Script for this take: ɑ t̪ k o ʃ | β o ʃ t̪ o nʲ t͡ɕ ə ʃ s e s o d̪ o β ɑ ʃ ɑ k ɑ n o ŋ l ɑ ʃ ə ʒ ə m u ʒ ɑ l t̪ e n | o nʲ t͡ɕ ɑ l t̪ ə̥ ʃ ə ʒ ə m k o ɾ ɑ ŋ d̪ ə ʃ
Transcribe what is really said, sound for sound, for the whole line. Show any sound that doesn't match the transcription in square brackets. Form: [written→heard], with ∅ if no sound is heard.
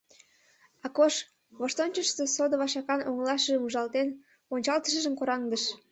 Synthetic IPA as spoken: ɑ [t̪→∅] k o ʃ | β o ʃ t̪ o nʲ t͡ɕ ə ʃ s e s o d̪ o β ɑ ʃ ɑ k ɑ n o ŋ l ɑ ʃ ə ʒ ə m u ʒ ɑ l t̪ e n | o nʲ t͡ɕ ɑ l t̪ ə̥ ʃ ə ʒ ə m k o ɾ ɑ ŋ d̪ ə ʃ